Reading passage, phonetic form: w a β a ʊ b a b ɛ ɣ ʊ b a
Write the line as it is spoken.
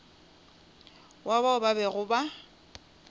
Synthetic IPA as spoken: w a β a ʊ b a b ɛ ɣ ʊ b a

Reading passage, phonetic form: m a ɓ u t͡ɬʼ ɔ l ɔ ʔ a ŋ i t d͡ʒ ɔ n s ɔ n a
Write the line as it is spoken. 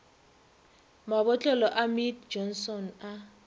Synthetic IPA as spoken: m a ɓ ɔ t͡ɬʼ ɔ l ɔ ʔ a m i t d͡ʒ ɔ n s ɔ n a

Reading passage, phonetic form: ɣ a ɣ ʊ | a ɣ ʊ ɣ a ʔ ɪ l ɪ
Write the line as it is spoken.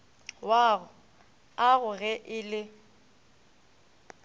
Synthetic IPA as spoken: w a ɣ ʊ | a ɣ ʊ ɣ ɛ ʔ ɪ l ɪ

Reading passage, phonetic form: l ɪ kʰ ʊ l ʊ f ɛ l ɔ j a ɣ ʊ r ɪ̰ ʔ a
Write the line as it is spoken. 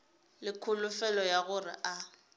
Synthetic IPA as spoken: l ɪ kʰ ʊ l ʊ f ɛ l ɔ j a ɣ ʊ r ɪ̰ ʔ a

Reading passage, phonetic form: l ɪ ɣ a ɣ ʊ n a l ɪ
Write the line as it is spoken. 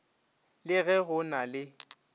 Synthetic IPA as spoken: l ɪ ɣ ɛ ɣ ʊ n a l ɪ

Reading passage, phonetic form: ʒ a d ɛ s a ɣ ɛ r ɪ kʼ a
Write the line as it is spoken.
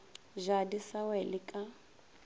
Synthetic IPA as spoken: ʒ a d i s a w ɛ l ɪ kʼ a

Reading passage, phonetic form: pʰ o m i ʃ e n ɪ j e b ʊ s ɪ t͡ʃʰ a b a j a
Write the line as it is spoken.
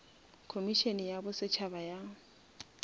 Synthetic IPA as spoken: kʰ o m i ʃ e n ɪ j a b ʊ s ɪ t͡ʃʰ a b a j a

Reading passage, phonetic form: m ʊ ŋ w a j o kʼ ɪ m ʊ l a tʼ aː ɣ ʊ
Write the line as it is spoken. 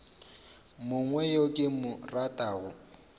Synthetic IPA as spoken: m ʊ ŋ w ɛ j o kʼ ɪ m ʊ r a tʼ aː ɣ ʊ

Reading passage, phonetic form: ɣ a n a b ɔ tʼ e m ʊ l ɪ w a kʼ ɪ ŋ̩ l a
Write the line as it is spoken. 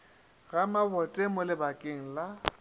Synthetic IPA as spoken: ɣ a m a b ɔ tʼ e m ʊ l ɪ b a kʼ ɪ ŋ̩ l a

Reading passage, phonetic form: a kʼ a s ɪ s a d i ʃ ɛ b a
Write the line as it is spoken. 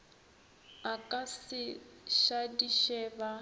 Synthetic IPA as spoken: a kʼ a s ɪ ʃ a d i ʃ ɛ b a

